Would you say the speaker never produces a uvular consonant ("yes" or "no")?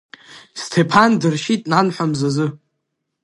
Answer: yes